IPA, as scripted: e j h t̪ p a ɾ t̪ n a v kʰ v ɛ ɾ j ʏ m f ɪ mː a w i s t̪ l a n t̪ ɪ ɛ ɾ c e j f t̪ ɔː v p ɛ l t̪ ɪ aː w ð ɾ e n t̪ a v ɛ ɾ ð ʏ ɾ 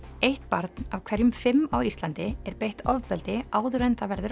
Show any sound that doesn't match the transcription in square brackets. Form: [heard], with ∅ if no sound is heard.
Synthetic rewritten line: e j h t̪ p a ɾ t̪ n a v kʰ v ɛ ɾ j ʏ m f ɪ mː a w i s t̪ l a n t̪ ɪ ɛ ɾ [p] e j [h] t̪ [ɔ] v p ɛ l t̪ ɪ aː w ð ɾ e n t̪ a v ɛ ɾ ð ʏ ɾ